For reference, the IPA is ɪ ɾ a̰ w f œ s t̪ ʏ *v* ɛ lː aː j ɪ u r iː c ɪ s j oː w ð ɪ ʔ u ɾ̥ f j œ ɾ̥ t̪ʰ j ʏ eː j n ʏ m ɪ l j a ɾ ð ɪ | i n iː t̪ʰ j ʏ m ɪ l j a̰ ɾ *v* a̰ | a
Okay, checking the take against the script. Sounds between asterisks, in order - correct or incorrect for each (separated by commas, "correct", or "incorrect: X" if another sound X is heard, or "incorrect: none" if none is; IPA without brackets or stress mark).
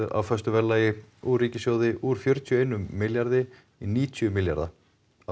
correct, incorrect: ð